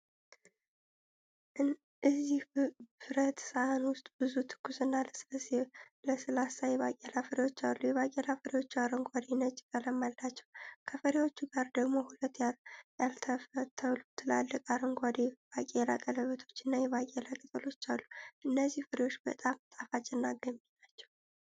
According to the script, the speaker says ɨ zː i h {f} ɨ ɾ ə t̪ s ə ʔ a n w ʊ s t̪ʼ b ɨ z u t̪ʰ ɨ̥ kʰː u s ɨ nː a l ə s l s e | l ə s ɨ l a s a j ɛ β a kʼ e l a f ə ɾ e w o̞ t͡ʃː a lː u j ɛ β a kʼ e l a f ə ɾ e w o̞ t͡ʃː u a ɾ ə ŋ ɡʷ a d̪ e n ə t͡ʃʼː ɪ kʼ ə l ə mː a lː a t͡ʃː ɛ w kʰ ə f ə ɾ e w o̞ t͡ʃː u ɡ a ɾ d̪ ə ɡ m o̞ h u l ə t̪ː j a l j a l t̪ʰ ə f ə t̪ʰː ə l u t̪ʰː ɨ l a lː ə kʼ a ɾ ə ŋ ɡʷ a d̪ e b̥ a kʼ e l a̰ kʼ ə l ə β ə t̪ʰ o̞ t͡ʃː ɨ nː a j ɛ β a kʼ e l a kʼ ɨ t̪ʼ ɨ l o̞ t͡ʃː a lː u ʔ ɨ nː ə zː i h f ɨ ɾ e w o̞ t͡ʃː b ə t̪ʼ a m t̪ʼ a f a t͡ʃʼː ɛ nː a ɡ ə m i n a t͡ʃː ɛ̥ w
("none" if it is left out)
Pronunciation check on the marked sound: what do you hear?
f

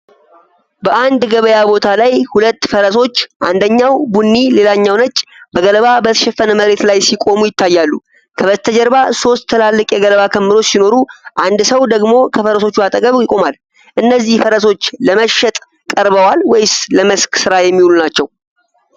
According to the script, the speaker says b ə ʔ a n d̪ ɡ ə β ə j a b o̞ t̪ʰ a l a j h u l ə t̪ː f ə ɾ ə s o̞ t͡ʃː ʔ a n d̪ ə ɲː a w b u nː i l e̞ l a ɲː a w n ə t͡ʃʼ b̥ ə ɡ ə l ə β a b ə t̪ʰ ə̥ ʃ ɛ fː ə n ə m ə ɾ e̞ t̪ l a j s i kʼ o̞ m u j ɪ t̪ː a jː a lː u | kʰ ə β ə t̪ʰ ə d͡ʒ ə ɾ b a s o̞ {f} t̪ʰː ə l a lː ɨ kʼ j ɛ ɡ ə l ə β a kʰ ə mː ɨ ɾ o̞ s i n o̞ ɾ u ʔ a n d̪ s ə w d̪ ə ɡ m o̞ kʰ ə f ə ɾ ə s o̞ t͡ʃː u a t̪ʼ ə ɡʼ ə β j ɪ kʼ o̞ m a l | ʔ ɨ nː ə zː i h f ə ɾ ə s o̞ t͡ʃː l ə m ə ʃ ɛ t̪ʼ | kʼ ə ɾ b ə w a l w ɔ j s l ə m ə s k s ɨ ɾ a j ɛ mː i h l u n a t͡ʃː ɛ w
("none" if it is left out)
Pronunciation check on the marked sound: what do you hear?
s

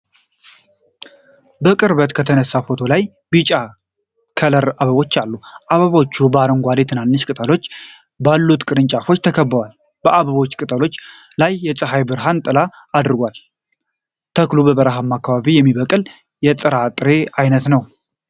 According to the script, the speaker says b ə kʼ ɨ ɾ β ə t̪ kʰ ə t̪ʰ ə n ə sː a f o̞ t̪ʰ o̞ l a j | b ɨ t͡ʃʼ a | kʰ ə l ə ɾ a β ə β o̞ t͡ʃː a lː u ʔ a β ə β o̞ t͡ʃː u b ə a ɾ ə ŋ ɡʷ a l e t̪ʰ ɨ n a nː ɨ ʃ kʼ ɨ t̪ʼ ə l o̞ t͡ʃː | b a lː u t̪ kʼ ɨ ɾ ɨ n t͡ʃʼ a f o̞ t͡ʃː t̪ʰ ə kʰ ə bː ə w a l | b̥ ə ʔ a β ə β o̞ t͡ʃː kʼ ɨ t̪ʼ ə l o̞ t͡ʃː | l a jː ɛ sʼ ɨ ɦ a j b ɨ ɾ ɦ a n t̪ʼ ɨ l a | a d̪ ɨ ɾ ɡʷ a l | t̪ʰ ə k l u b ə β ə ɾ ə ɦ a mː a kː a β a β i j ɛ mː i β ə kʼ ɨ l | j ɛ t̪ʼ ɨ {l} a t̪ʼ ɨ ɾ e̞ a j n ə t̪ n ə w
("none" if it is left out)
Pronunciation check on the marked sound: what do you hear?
ɾ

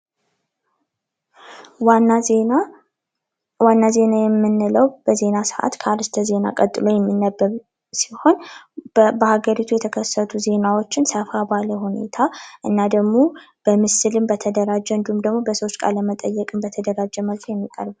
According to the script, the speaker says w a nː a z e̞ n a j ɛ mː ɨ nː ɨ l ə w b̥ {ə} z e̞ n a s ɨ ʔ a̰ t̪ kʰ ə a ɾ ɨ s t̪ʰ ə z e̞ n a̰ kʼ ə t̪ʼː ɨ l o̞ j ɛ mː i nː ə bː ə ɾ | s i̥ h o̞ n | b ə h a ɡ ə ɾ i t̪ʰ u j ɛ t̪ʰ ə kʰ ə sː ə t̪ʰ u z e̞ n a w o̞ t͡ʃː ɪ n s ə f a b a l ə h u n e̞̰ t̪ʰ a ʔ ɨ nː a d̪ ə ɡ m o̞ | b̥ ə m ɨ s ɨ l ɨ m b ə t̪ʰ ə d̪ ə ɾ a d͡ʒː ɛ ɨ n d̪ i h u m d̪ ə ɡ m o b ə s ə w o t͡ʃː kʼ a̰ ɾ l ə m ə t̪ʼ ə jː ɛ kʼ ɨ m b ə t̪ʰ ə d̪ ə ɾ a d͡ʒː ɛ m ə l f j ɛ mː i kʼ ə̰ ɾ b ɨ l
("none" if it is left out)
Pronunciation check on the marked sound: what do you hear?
ə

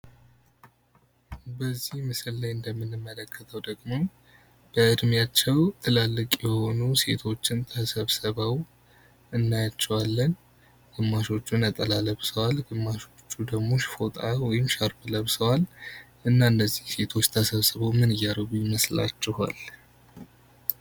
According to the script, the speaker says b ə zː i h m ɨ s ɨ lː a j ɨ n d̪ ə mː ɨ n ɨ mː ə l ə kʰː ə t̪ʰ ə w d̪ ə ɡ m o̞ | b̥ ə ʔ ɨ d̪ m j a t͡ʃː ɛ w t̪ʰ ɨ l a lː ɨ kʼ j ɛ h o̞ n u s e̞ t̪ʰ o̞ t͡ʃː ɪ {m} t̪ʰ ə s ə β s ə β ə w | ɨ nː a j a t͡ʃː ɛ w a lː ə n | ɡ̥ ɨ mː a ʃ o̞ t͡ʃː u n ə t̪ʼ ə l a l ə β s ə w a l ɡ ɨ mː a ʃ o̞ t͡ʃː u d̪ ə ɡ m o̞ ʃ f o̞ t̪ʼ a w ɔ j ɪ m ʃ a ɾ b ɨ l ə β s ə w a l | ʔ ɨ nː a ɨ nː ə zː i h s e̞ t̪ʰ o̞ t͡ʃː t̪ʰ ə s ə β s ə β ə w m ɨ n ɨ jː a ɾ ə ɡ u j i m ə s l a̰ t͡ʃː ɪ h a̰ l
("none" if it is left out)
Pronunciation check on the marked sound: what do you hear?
n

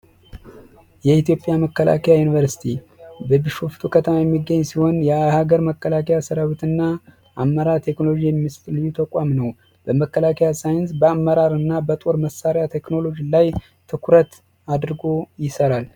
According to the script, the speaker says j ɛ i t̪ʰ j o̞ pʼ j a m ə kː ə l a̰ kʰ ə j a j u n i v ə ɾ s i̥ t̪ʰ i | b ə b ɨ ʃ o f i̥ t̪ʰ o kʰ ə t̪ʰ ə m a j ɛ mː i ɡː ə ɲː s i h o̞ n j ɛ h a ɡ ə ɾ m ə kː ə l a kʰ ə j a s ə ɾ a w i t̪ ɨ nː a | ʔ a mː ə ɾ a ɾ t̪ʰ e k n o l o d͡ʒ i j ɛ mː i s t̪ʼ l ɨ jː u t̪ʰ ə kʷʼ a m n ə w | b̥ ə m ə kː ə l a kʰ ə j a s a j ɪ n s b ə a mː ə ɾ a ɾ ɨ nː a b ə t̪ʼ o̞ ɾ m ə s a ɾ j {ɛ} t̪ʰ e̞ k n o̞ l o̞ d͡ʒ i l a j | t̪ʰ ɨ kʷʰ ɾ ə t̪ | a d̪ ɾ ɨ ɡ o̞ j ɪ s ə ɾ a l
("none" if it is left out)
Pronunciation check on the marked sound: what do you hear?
a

